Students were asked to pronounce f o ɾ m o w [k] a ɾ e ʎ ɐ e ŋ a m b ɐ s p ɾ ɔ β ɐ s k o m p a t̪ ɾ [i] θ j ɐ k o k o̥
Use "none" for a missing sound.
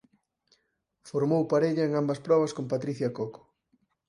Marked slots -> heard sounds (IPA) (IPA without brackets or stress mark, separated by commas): p, i